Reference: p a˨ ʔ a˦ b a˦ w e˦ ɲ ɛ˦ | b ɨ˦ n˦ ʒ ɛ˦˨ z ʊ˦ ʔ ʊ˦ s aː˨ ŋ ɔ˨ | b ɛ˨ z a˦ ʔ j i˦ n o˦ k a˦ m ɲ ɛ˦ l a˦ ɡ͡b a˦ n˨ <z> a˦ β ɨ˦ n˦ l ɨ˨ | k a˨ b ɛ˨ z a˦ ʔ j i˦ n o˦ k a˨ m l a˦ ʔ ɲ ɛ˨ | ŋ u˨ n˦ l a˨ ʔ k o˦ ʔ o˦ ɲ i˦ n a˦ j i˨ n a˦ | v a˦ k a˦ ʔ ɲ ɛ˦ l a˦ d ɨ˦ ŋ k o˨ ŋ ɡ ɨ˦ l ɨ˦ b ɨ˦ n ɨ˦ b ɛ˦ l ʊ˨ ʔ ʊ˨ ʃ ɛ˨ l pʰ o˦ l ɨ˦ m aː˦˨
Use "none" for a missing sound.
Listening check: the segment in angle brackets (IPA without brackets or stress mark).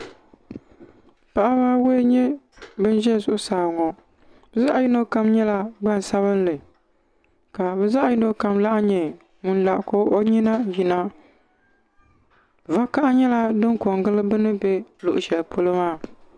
s